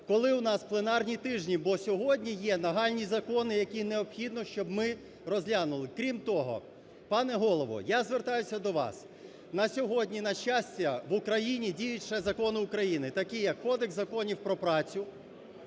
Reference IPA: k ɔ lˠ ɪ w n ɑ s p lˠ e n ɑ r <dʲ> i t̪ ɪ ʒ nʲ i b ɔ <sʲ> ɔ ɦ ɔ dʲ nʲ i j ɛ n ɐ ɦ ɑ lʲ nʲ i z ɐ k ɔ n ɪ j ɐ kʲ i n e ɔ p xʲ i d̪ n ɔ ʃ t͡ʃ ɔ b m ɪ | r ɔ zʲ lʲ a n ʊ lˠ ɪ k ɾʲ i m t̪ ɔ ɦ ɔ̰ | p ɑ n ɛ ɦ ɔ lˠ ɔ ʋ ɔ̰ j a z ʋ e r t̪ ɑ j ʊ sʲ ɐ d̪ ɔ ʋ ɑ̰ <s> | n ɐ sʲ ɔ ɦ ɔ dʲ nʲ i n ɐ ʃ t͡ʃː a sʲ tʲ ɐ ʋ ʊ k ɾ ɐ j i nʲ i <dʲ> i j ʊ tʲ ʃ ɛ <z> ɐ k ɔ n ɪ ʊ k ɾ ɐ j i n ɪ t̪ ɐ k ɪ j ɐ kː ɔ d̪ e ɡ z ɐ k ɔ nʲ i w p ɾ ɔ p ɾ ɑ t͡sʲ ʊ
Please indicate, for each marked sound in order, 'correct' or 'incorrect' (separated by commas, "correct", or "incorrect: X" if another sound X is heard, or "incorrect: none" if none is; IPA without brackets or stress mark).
incorrect: nʲ, correct, correct, correct, correct